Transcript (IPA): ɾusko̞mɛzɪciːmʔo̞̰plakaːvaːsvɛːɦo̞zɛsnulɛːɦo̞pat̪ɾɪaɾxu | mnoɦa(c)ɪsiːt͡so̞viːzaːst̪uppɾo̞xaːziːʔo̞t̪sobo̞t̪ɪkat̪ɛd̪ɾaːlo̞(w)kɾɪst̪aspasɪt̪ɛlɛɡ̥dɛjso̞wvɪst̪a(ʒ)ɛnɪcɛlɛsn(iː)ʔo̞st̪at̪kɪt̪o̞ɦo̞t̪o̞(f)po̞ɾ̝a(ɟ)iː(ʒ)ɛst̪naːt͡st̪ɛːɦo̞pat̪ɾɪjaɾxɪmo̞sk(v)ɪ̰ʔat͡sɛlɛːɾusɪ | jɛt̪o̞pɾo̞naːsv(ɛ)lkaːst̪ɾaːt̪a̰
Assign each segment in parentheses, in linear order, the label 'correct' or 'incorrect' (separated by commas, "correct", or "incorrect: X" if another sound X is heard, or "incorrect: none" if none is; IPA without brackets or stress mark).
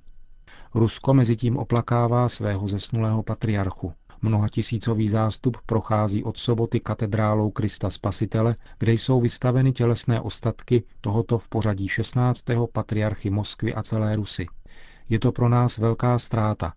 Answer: correct, correct, incorrect: v, incorrect: ɛː, correct, correct, incorrect: ʃ, correct, correct